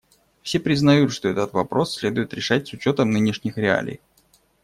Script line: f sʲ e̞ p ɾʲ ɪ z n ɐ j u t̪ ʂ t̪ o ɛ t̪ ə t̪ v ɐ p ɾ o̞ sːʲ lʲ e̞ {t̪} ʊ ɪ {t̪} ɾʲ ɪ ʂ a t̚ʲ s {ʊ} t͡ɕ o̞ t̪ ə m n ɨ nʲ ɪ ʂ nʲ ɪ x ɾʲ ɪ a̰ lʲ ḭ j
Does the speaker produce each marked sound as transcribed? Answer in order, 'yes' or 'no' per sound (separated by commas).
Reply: no, yes, yes